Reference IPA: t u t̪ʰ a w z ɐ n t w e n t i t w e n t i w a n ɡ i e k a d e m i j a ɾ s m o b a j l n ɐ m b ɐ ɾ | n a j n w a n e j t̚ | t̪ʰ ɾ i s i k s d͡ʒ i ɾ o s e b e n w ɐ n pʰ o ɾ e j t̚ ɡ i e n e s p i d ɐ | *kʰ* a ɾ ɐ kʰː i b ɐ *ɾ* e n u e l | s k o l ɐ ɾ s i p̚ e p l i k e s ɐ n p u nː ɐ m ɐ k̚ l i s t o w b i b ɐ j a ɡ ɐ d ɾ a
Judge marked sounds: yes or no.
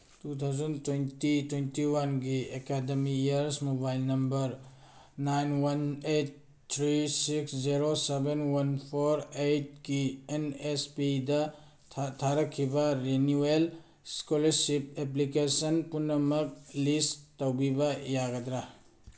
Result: no, yes

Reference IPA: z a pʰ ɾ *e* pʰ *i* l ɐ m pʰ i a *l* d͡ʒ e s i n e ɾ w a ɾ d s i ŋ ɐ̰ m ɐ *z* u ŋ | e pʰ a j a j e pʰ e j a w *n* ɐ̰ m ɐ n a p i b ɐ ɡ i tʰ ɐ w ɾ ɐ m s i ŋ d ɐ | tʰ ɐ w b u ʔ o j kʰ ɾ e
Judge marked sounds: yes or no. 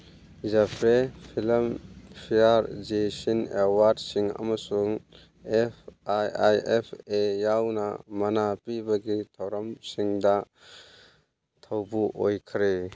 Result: yes, yes, no, no, yes

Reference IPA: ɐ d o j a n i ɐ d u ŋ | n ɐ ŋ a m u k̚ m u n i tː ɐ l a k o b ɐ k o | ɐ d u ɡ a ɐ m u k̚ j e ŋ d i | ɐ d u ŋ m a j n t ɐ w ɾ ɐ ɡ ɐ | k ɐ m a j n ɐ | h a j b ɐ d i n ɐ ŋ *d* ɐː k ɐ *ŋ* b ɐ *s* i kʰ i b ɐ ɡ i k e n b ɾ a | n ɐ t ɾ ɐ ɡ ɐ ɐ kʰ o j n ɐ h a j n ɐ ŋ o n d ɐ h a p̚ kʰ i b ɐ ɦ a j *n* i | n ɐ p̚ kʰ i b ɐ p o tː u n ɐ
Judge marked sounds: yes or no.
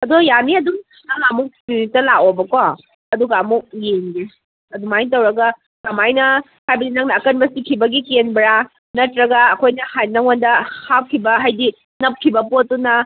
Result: no, no, yes, no

